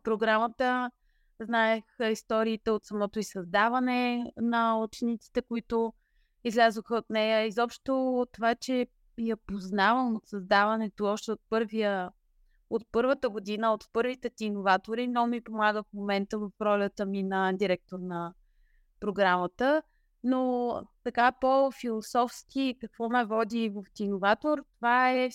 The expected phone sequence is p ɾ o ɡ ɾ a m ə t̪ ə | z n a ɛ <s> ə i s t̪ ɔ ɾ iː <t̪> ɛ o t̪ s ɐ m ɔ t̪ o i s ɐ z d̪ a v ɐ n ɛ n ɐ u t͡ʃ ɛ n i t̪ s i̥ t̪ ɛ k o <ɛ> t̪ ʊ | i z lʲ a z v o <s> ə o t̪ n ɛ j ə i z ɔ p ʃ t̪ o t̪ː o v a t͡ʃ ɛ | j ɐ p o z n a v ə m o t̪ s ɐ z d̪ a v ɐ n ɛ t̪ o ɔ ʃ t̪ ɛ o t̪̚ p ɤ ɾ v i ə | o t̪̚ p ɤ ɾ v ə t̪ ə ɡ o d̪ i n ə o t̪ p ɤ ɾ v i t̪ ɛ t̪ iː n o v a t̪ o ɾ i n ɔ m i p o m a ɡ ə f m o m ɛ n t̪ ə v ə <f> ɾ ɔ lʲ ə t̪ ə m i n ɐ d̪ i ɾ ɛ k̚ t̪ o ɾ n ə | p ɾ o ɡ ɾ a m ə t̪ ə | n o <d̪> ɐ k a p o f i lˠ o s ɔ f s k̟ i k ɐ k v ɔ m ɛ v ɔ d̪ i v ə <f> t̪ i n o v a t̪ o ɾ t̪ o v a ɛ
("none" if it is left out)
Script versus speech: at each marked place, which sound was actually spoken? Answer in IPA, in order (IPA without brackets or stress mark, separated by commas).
x, t̪, i, x, f, t̪, f